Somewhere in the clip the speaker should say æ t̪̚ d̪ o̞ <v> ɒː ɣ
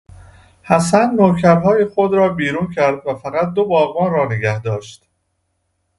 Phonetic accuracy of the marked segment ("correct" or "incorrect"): incorrect